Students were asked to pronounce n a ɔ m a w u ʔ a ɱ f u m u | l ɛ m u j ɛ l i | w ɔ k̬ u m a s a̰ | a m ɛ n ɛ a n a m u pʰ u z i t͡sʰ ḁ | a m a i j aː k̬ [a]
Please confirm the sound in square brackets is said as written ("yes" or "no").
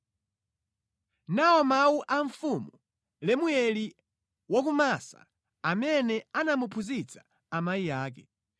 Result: no